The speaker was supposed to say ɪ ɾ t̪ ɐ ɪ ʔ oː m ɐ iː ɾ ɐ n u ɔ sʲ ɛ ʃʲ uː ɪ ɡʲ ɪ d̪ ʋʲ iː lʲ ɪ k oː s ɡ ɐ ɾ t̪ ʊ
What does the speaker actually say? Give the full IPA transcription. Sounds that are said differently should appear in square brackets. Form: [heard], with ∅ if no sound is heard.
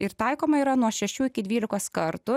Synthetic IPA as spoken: ɪ ɾ t̪ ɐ ɪ [k] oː m ɐ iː ɾ ɐ n u ɔ [ʃʲ] ɛ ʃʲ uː ɪ [kʲ] ɪ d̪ ʋʲ iː lʲ ɪ k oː s [k] ɐ ɾ t̪ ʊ

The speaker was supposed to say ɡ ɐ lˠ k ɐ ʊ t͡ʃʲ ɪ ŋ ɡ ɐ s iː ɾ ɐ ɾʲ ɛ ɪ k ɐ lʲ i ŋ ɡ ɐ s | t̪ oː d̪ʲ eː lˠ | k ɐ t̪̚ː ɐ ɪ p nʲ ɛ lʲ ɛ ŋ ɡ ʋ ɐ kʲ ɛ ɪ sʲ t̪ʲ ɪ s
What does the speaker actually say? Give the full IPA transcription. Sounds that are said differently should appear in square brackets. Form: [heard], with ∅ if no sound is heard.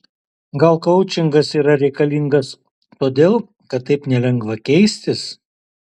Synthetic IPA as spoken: ɡ ɐ lˠ k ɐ ʊ t͡ʃʲ ɪ ŋ ɡ ɐ s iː ɾ ɐ ɾʲ ɛ ɪ k ɐ lʲ i ŋ ɡ ɐ s | t̪ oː d̪ʲ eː lˠ | k ɐ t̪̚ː ɐ ɪ p nʲ ɛ lʲ ɛ ŋ ɡ ʋ ɐ kʲ ɛ ɪ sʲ t̪ʲ ɪ s

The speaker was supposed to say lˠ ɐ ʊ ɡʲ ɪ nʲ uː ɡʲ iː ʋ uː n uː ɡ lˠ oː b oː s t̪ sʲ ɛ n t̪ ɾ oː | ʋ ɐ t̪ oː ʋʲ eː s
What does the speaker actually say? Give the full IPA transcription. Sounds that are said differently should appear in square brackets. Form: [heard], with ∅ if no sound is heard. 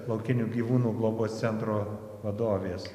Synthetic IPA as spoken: lˠ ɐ ʊ [kʲ] ɪ nʲ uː ɡʲ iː ʋ uː n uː ɡ lˠ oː b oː s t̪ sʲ ɛ n t̪ ɾ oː | ʋ ɐ [d̪] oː ʋʲ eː s

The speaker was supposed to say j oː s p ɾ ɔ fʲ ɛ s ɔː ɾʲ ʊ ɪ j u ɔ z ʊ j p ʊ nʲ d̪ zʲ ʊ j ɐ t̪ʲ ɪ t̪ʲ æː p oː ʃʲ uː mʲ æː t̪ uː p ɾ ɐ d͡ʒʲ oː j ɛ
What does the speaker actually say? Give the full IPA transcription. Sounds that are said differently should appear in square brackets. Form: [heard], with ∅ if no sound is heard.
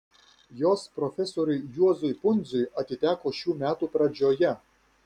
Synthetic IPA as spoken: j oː s p ɾ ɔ fʲ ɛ s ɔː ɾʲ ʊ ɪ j u ɔ z ʊ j p ʊ nʲ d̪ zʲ ʊ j ɐ t̪ʲ ɪ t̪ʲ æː [k] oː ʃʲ uː mʲ æː t̪ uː p ɾ ɐ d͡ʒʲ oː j ɛ

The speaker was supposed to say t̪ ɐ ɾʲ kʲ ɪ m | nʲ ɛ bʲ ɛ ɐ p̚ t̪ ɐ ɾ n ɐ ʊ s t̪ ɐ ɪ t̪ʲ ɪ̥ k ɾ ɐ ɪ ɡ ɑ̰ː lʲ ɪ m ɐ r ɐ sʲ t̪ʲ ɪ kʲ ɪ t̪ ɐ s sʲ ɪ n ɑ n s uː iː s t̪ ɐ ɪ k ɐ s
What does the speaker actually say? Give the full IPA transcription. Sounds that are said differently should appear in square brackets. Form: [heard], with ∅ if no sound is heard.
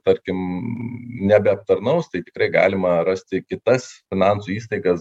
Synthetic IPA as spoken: t̪ ɐ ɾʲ kʲ ɪ m | nʲ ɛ bʲ ɛ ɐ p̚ t̪ ɐ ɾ n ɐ ʊ s t̪ ɐ ɪ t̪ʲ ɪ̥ k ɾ ɐ ɪ ɡ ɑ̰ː lʲ ɪ m ɐ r ɐ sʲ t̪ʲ ɪ kʲ ɪ t̪ ɐ s [fʲ] ɪ n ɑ n s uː iː s t̪ ɐ ɪ [ɡ] ɐ s

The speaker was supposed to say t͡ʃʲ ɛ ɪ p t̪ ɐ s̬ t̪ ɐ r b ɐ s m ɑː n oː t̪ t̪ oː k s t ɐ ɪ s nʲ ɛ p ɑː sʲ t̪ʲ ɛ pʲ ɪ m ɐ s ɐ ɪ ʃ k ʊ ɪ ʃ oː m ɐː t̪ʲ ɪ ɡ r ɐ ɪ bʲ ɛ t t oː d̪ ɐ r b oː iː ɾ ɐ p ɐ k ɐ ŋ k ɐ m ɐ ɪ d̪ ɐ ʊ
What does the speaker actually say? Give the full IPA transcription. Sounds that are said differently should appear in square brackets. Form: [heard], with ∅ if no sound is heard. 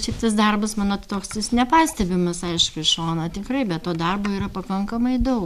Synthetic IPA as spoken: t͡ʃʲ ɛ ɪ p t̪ ɐ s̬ [d̪] ɐ r b ɐ s m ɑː n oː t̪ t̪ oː k s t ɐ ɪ s nʲ ɛ p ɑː sʲ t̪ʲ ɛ [bʲ] ɪ m ɐ s ɐ ɪ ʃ k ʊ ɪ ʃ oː [n] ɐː t̪ʲ ɪ [k] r ɐ ɪ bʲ ɛ t t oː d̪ ɐ r b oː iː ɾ ɐ p ɐ k ɐ ŋ k ɐ m ɐ ɪ d̪ ɐ ʊ

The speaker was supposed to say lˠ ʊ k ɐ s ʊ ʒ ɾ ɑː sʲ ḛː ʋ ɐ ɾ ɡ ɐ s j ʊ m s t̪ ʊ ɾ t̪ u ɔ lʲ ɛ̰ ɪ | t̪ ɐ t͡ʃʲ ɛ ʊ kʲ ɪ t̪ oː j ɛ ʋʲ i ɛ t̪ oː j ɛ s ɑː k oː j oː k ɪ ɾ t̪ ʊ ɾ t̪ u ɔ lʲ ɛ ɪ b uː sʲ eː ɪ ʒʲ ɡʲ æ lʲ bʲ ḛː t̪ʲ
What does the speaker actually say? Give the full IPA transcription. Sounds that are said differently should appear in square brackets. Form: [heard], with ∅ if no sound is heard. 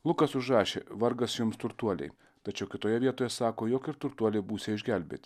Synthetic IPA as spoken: lˠ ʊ k ɐ s ʊ ʒ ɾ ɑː [ʃʲ] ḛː ʋ ɐ ɾ ɡ ɐ s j ʊ m s t̪ ʊ ɾ t̪ u ɔ lʲ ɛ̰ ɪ | t̪ ɐ t͡ʃʲ ɛ ʊ kʲ ɪ t̪ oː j ɛ ʋʲ i ɛ t̪ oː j ɛ s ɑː k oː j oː k ɪ ɾ t̪ ʊ ɾ t̪ u ɔ lʲ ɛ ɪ b uː sʲ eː ɪ ʒʲ ɡʲ æ lʲ bʲ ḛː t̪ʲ

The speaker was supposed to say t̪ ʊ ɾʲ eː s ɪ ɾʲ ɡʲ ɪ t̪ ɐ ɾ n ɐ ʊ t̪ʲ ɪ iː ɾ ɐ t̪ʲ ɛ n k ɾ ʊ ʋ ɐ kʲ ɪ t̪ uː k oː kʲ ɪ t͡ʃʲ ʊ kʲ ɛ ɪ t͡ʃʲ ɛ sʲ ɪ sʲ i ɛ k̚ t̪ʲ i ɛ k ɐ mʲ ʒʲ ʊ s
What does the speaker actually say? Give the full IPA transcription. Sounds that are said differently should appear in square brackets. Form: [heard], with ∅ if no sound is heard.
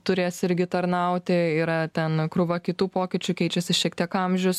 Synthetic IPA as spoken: t̪ ʊ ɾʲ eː s ɪ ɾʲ ɡʲ ɪ t̪ ɐ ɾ n ɐ ʊ t̪ʲ ɪ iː ɾ ɐ t̪ʲ ɛ n k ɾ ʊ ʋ ɐ kʲ ɪ t̪ uː [p] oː kʲ ɪ t͡ʃʲ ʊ kʲ ɛ ɪ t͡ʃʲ ɛ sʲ ɪ [ʃʲ] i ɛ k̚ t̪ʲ i ɛ k ɐ mʲ ʒʲ ʊ s

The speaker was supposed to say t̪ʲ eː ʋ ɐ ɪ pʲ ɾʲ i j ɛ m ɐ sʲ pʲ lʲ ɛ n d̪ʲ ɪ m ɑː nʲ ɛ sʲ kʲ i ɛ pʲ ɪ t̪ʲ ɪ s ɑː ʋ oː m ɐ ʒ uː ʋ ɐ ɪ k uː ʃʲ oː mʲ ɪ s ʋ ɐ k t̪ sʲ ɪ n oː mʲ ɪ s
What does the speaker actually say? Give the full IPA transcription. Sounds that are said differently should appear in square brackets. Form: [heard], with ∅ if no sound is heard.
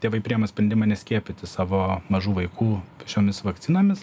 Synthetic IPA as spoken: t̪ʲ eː ʋ ɐ ɪ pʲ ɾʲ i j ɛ m ɐ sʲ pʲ [ɾʲ] ɛ n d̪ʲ ɪ m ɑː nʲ ɛ sʲ kʲ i ɛ pʲ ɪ t̪ʲ ɪ s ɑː ʋ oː m ɐ ʒ uː ʋ ɐ ɪ k uː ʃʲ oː mʲ ɪ s ʋ ɐ k t̪ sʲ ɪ n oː mʲ ɪ s

